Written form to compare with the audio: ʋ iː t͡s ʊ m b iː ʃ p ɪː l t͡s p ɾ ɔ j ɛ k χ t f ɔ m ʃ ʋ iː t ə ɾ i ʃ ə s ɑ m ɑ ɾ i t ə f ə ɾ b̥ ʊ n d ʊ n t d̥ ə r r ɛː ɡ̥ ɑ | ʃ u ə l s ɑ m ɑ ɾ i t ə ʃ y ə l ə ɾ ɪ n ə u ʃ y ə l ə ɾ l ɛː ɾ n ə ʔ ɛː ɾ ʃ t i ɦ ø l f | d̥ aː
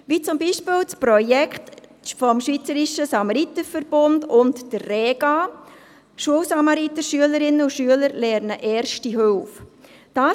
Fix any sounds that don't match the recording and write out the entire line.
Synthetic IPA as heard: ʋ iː t͡s ʊ m b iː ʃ p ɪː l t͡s p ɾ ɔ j ɛ k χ t f ɔ m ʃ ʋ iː t͡s ə ɾ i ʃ ə s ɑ m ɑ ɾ i t ə f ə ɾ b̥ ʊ n d ʊ n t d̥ ə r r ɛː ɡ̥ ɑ | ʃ u ə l s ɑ m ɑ ɾ i t ə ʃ y ə l ə ɾ ɪ n ə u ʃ y ə l ə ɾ l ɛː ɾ n ə ʔ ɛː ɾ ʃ t i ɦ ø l f | d̥ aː